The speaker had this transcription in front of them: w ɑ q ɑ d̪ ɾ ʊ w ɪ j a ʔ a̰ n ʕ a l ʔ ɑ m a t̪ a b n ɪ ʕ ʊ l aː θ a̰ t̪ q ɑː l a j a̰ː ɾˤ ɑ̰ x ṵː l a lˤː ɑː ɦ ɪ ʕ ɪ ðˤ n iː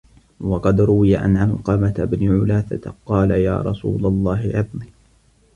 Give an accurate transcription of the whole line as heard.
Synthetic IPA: w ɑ q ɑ d̪ ɾ ʊ w ɪ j a ʔ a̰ n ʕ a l q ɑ m a t̪ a b n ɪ ʕ ʊ l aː θ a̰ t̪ q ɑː l a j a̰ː ɾˤ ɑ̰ s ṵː l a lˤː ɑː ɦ ɪ ʕ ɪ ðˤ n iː